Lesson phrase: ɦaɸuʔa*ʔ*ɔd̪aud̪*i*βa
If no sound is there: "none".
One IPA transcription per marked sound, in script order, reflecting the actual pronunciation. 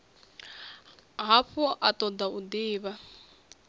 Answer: t, iː

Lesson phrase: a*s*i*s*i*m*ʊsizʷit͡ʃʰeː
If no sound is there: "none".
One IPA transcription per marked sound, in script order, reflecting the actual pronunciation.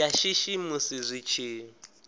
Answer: ʃ, ʃ, m

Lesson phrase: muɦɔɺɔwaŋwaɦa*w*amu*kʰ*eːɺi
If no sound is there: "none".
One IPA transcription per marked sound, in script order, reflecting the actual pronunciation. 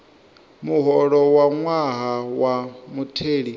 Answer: w, tʰ

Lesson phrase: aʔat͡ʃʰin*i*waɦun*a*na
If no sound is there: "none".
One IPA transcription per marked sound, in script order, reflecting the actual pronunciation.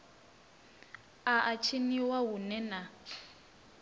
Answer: i, ɛ

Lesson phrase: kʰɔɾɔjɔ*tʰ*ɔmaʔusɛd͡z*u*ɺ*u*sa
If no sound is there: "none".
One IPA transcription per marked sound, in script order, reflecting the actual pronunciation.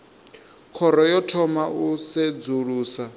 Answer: tʰ, u, uː

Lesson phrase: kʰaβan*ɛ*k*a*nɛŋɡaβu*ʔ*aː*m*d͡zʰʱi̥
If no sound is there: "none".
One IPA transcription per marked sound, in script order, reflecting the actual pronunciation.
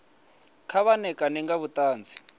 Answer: ɛ, a, t, n

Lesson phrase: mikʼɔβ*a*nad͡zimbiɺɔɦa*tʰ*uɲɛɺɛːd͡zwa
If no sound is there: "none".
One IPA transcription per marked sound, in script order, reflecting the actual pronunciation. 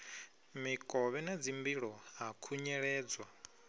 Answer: ɛ, kʰ

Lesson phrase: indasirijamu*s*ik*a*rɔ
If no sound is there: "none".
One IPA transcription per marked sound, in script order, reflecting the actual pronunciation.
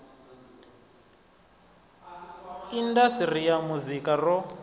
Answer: z, a

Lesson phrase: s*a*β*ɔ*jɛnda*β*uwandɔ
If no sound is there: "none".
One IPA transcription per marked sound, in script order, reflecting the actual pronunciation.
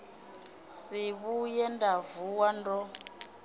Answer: i, u, v

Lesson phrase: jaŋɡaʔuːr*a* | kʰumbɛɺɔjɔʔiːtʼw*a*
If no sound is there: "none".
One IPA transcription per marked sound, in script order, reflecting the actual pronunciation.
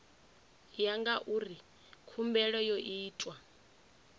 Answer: i, a

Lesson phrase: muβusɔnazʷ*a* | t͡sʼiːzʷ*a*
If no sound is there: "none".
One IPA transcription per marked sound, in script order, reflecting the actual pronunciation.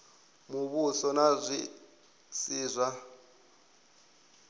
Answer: i, a

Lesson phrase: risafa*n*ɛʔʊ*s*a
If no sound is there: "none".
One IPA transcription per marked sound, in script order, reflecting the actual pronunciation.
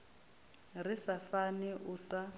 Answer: n, s

